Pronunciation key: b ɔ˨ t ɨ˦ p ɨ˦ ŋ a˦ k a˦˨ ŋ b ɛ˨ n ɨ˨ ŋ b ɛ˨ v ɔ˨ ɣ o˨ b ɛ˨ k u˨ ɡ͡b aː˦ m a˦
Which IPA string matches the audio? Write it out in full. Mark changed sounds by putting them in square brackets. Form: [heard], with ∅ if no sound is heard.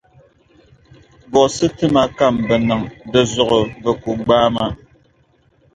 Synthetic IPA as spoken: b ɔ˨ [s] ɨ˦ [t] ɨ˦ [m] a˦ k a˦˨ [m] b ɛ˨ n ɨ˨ ŋ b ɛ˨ [z] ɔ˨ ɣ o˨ b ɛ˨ k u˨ ɡ͡b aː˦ m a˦